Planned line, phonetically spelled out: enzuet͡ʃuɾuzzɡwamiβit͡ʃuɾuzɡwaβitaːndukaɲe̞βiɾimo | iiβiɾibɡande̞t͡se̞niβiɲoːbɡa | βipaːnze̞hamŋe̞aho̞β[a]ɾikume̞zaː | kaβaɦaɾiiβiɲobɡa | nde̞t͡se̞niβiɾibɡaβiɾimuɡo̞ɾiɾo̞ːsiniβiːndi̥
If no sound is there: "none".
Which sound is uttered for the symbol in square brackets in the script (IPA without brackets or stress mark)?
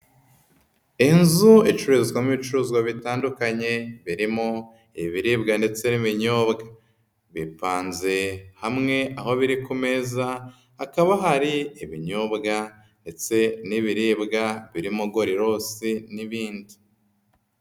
i